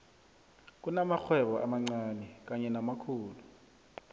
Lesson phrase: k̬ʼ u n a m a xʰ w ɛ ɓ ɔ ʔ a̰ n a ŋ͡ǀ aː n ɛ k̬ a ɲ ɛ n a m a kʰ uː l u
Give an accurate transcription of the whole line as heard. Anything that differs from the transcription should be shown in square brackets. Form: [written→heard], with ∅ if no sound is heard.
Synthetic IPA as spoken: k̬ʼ u n a m a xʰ w ɛ ɓ ɔ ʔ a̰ [n→m] a ŋ͡ǀ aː n ɛ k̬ a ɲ ɛ n a m a kʰ uː l u